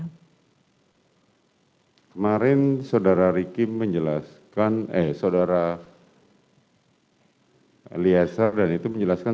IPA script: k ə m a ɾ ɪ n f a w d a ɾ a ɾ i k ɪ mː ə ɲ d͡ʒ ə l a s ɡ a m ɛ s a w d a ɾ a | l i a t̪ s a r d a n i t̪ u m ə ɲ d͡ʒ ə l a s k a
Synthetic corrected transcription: k ə m a ɾ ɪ n s a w d a ɾ a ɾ i k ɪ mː ə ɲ d͡ʒ ə l a s k a n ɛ s a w d a ɾ a | l i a s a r d a n i t̪ u m ə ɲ d͡ʒ ə l a s k a